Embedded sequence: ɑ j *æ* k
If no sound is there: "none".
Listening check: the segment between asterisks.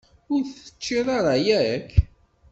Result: æ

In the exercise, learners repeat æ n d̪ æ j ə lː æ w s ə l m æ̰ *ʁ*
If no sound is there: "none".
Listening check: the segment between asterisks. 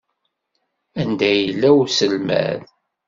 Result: ð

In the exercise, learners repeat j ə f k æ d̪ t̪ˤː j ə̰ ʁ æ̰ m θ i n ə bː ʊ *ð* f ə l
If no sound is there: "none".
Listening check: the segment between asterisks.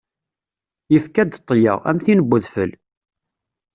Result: ð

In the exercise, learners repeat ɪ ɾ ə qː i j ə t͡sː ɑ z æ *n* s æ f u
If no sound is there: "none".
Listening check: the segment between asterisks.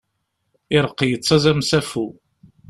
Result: m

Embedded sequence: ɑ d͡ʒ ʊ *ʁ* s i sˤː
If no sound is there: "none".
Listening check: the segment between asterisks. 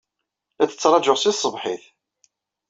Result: ʁ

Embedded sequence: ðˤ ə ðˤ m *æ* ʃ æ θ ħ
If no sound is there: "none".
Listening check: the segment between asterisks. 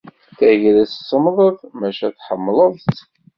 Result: æ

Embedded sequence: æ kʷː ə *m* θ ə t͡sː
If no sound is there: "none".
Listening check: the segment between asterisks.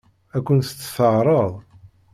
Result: n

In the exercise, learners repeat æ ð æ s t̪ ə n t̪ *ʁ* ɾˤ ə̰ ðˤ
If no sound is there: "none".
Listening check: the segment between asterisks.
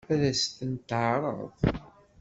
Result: ʕ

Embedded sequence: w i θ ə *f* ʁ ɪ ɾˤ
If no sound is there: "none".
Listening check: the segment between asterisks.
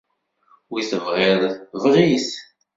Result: v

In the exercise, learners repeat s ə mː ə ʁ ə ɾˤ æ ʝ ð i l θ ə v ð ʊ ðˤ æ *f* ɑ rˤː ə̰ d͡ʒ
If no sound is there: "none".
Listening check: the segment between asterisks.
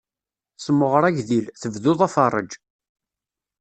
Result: f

